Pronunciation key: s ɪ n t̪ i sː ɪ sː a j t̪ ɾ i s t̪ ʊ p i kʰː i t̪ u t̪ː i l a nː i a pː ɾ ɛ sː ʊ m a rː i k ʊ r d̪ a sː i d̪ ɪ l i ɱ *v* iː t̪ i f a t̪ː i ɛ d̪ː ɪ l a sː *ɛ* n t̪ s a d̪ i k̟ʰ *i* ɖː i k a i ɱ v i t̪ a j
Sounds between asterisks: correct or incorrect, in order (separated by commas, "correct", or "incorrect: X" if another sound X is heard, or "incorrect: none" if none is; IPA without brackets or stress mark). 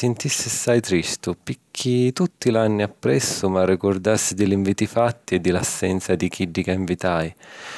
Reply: correct, correct, correct